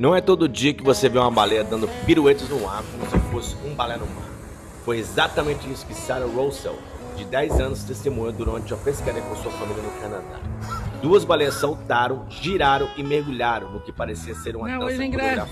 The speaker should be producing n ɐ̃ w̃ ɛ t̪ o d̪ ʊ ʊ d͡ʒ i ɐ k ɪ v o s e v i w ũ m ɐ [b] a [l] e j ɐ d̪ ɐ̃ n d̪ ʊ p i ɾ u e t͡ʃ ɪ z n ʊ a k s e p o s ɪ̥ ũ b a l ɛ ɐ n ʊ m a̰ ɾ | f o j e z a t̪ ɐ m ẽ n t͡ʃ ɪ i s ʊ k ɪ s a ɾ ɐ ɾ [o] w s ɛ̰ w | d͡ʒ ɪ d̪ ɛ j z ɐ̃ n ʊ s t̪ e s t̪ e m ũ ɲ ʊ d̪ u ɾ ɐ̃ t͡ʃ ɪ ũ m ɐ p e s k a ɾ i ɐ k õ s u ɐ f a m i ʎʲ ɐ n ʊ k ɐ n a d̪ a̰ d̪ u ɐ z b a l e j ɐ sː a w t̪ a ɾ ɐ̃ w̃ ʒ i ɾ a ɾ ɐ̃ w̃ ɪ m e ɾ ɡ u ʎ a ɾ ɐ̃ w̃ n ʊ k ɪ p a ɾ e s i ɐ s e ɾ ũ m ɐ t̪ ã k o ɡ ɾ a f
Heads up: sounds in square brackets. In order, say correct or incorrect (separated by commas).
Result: correct, correct, correct